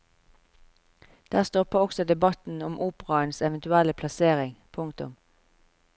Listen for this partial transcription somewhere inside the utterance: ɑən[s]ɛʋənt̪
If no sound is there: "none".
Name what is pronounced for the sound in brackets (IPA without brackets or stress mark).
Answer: s